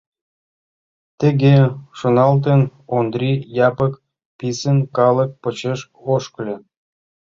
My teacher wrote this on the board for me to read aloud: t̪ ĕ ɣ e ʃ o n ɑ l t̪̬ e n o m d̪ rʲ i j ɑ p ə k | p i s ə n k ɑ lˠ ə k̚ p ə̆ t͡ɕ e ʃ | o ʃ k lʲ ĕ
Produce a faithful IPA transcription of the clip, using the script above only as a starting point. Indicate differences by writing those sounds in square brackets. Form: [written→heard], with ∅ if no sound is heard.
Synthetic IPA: t̪ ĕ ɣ e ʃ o n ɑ l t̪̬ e n o [m→n] d̪ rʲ i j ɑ p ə k | p i s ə n k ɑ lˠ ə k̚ p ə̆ t͡ɕ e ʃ | o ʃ k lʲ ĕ